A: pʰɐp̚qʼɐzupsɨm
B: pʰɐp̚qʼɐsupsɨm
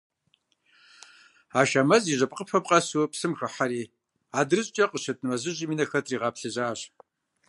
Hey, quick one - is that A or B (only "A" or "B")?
B